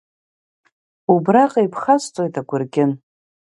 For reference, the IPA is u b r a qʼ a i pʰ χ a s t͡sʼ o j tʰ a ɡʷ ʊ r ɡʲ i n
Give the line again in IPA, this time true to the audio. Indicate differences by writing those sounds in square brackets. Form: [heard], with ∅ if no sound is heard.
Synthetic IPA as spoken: u b r a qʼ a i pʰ χ a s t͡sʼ o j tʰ a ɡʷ ʊ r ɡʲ [ɪ] n